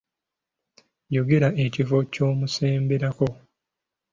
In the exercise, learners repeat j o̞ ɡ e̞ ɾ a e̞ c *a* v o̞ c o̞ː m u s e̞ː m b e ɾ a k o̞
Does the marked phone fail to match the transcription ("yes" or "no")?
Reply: yes